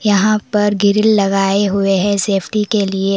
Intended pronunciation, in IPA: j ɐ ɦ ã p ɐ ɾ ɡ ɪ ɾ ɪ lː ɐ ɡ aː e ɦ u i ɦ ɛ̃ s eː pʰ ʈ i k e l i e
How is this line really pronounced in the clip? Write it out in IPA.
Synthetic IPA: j ɐ ɦ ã p ɐ ɾ ɡ ɪ ɾ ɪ lː ɐ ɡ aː e ɦ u e ɦ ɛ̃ s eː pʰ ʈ i k e l i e